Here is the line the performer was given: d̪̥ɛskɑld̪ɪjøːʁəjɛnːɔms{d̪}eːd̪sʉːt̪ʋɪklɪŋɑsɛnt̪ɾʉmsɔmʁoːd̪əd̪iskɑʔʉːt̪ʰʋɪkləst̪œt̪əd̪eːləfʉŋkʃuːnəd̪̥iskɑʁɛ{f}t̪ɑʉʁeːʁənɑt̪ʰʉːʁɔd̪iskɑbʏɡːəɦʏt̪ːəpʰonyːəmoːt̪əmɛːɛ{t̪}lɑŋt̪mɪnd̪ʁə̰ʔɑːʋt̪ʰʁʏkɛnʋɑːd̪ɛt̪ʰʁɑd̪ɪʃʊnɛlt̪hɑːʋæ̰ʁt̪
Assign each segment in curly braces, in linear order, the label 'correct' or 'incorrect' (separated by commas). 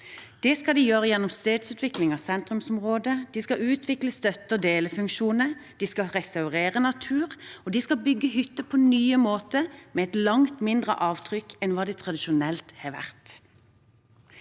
incorrect, incorrect, correct